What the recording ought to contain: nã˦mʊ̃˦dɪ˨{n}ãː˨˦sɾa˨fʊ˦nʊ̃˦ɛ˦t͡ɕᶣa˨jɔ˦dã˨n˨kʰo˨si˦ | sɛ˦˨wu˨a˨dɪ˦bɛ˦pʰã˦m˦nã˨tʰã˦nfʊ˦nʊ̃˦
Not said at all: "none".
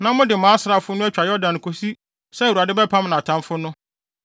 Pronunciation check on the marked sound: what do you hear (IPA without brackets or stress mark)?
m